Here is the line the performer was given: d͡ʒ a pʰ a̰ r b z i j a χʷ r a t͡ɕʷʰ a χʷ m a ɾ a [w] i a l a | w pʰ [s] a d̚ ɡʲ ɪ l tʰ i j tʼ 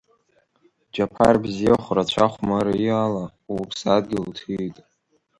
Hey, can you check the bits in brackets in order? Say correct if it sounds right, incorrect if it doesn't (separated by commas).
incorrect, correct